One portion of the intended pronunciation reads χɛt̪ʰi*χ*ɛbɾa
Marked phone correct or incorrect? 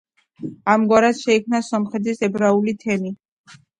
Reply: incorrect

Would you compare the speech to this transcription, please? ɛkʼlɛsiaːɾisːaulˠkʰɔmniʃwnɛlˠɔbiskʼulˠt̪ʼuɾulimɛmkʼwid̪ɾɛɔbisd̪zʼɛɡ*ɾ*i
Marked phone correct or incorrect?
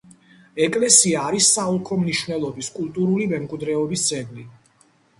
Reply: incorrect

